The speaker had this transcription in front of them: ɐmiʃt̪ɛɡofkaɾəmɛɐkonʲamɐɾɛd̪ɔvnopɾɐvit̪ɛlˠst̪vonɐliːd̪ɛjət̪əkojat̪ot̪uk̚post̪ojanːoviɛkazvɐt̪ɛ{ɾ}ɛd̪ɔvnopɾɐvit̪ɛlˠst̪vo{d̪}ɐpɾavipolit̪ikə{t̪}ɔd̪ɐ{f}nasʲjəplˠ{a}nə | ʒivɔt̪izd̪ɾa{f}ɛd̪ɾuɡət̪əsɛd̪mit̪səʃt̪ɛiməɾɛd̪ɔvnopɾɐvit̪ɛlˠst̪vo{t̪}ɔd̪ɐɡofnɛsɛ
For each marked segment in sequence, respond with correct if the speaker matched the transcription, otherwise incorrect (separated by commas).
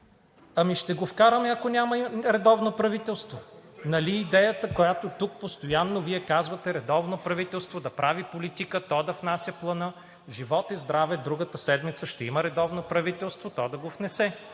correct, correct, correct, correct, incorrect, incorrect, correct